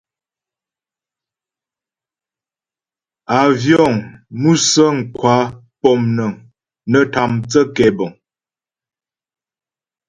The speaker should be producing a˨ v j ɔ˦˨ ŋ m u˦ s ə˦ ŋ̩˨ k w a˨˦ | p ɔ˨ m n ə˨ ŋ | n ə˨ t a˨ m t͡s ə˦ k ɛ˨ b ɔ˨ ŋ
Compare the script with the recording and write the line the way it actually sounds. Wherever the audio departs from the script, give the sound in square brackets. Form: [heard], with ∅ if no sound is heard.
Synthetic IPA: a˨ v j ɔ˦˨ ŋ m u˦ s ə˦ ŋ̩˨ k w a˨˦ | p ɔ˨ m n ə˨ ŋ | n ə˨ t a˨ m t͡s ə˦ k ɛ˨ b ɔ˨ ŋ